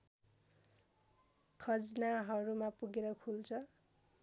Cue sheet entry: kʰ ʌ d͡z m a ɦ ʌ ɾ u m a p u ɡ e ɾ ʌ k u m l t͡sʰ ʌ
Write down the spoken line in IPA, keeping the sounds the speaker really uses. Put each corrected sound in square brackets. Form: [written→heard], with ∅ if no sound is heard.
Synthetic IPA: kʰ ʌ d͡z [m→n] a ɦ ʌ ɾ u m a p u ɡ e ɾ ʌ [k→kʰ] u [m→∅] l t͡sʰ ʌ